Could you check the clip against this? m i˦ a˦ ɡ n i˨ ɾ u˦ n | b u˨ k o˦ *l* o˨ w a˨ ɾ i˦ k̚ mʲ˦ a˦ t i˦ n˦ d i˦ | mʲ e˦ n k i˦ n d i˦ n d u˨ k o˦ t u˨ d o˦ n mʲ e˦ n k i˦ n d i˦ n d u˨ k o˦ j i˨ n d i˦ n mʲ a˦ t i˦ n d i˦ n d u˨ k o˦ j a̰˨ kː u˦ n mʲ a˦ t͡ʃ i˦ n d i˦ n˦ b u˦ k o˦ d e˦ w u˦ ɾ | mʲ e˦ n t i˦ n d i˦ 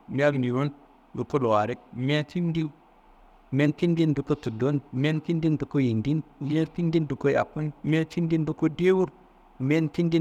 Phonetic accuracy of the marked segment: correct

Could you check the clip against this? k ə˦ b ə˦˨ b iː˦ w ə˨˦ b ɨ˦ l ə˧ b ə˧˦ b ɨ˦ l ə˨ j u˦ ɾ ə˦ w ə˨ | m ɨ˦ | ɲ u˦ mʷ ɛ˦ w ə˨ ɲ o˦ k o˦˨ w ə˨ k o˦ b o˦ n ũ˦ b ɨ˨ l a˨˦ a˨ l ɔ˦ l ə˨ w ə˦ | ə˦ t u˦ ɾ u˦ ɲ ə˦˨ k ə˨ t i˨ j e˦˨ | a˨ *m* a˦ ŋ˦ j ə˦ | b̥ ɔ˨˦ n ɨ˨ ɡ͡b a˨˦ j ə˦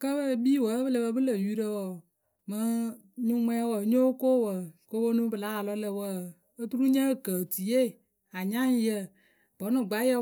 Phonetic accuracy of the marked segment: incorrect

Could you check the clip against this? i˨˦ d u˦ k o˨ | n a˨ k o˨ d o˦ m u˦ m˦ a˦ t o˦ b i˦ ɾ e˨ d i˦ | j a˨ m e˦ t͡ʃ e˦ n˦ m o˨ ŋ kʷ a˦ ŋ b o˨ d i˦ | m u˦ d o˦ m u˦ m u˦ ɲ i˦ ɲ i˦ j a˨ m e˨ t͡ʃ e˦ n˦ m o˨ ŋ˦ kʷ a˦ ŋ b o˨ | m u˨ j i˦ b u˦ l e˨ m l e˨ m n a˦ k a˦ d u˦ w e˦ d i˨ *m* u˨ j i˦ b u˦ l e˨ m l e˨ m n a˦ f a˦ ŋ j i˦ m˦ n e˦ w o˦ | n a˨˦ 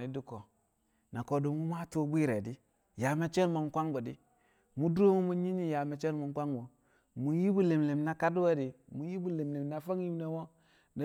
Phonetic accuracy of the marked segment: correct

